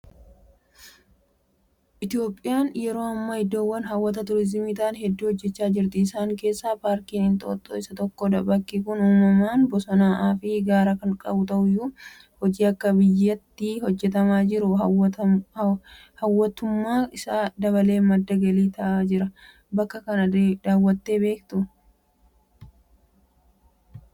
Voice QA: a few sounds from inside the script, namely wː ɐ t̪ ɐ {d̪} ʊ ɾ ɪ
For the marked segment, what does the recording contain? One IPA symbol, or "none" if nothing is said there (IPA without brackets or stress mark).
t̪